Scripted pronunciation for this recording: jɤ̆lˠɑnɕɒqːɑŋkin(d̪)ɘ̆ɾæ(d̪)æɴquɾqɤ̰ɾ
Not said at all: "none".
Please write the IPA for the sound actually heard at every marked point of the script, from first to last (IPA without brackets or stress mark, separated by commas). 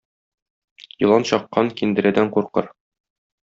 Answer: d̪, d̪